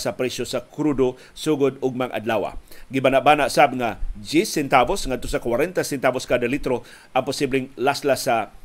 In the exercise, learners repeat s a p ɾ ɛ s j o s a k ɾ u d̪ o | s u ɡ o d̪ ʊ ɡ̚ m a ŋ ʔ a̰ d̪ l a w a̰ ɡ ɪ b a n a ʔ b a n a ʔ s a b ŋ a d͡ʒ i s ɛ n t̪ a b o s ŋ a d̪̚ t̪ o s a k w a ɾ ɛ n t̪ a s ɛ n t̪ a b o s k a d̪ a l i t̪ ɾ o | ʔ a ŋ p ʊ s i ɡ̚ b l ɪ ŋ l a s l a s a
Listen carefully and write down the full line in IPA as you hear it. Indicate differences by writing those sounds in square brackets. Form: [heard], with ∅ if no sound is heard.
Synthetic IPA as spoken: s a p ɾ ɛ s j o s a k ɾ u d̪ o | s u ɡ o d̪ ʊ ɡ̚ m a ŋ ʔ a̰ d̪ l a w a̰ ɡ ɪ b a n a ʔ b a n a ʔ s a b ŋ a d͡ʒ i s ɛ n t̪ a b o s ŋ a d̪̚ t̪ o s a k w a ɾ ɛ n t̪ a s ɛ n t̪ a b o s k a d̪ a l i t̪ ɾ o | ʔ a ŋ p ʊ s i [∅] b l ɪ ŋ l a s l a s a